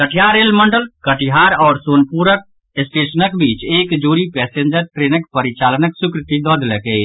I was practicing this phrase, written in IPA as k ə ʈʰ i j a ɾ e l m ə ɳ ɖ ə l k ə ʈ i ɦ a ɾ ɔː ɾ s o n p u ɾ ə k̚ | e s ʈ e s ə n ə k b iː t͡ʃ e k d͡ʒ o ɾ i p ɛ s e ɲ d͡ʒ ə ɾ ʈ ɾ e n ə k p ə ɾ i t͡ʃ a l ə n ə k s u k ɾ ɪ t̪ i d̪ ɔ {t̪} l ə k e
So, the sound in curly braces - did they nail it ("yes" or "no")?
no